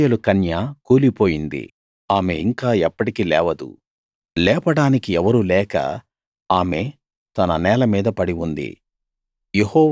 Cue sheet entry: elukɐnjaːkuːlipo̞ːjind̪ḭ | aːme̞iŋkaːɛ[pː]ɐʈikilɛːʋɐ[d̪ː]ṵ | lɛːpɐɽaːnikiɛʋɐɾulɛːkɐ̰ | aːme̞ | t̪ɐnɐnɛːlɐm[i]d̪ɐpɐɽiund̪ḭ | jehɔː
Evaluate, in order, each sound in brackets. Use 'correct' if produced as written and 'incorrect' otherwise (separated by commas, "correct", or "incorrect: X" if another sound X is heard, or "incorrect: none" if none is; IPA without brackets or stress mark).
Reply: correct, incorrect: d̪, incorrect: iː